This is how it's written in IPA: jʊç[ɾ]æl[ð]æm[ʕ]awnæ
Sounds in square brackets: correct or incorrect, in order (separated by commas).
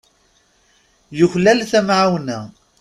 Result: incorrect, incorrect, correct